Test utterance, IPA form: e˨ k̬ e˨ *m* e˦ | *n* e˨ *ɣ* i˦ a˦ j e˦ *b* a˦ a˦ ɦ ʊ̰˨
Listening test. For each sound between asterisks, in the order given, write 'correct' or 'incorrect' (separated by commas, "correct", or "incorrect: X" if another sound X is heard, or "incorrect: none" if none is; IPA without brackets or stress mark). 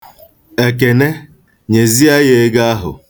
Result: incorrect: n, incorrect: ɲ, incorrect: z, incorrect: ɡ